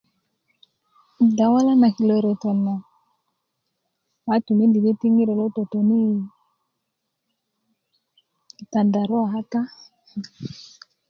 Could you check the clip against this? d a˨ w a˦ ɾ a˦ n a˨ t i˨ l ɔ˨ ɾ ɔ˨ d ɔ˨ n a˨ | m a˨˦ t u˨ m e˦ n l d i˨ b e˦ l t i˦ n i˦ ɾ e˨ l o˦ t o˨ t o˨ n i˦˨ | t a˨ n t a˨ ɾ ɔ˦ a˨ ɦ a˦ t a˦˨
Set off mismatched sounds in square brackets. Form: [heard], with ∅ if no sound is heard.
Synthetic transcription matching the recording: d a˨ w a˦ [l] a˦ n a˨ [k] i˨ l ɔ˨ ɾ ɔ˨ [t] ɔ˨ n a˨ | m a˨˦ t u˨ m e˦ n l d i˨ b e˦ [∅] t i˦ [ŋ] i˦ ɾ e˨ l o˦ t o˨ t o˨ n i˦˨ | t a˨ n [d] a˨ ɾ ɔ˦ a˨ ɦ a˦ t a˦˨